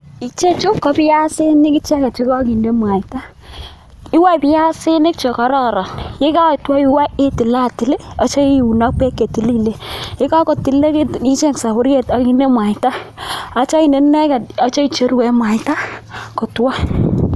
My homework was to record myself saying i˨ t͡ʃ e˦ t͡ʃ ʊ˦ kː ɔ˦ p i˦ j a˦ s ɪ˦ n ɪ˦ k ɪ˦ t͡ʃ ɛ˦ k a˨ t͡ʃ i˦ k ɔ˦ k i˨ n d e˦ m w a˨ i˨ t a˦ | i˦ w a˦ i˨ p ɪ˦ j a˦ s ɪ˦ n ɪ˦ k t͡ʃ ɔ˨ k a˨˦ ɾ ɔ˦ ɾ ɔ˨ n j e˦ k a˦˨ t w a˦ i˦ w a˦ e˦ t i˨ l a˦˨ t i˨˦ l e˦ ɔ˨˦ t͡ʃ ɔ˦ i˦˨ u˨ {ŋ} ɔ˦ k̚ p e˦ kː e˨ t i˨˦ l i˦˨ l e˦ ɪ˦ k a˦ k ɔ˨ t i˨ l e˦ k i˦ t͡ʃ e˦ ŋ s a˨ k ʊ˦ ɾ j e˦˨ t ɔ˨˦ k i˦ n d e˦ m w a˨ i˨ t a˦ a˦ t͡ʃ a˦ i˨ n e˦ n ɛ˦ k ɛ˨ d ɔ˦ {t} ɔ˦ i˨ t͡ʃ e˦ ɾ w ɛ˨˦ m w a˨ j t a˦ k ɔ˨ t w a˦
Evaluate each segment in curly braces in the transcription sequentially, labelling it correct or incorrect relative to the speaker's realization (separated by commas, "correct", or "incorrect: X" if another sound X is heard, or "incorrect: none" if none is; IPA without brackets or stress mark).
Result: incorrect: n, incorrect: t͡ʃ